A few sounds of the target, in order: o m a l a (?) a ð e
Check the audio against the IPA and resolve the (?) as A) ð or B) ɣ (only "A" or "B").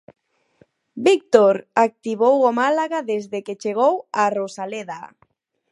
B